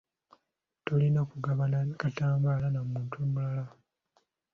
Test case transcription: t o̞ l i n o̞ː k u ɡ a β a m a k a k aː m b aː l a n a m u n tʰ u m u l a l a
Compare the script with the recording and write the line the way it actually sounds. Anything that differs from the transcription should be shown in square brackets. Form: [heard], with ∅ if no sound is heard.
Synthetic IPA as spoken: t o̞ l i n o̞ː k u ɡ a β a [n] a k a [t] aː m b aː l a n a m [uː] n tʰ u m u l a l a